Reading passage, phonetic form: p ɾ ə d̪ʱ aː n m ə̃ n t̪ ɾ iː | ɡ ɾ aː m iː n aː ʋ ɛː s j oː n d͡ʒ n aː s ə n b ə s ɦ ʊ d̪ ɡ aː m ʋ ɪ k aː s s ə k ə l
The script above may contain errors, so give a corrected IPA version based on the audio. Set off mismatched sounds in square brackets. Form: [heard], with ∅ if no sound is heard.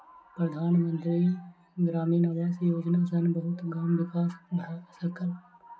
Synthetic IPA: p ɾ ə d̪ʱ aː n m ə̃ n t̪ ɾ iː | ɡ ɾ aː m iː n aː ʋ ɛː s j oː [∅] d͡ʒ n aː s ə n b ə [∅] ɦ ʊ [t̪] ɡ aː m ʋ ɪ k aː s s ə k ə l